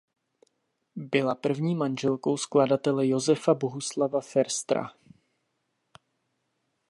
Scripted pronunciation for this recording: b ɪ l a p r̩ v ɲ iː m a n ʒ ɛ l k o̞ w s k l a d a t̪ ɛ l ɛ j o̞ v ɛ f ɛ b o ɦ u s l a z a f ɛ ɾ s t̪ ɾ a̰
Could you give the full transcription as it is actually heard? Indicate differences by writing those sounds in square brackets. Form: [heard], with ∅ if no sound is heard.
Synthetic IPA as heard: b ɪ l a p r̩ v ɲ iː m a n ʒ ɛ l k o̞ w s k l a d a t̪ ɛ l ɛ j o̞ [z] ɛ f [a] b o ɦ u s l a [v] a f ɛ ɾ s t̪ ɾ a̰